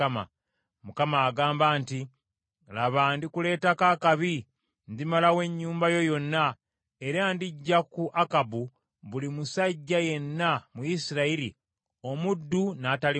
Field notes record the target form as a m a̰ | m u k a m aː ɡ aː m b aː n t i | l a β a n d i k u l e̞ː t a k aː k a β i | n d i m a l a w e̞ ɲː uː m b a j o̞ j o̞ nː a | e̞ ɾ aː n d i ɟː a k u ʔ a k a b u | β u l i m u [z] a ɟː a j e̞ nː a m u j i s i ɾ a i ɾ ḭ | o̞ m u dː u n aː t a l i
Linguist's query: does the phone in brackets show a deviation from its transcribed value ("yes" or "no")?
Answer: yes